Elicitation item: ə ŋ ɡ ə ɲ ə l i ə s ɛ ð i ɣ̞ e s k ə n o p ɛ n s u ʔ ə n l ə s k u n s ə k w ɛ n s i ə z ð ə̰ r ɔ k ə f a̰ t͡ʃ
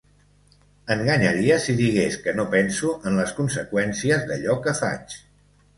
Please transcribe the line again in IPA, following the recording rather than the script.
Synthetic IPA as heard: ə ŋ ɡ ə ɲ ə ɾ i ə s i ð i ɣ̞ e s k ə n o p ɛ n s u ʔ ə n l ə s k u n s ə k w ɛ n s i ə z ð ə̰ ʎ ɔ k ə f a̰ t͡ʃ